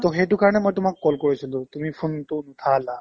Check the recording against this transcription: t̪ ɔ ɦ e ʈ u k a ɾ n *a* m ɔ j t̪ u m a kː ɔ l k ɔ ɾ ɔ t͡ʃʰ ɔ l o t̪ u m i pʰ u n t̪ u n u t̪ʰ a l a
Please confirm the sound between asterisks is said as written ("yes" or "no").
no